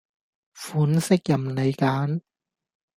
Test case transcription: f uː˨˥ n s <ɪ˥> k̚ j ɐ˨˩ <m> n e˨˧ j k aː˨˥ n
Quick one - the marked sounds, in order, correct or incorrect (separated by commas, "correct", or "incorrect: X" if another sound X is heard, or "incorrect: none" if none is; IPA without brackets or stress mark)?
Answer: correct, correct